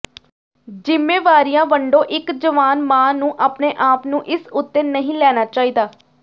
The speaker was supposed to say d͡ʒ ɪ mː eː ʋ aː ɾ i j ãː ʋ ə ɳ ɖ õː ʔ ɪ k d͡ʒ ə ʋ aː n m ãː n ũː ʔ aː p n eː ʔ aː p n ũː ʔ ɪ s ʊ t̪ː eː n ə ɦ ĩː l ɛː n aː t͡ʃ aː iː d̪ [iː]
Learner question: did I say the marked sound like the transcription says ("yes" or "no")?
no